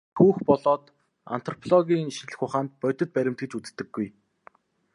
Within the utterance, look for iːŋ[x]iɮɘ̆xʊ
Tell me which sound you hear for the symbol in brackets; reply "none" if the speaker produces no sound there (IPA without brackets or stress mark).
ʃ